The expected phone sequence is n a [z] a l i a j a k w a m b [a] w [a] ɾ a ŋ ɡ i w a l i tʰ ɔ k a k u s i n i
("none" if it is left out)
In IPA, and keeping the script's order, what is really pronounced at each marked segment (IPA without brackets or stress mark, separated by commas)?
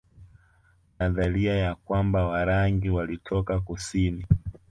ð, a, a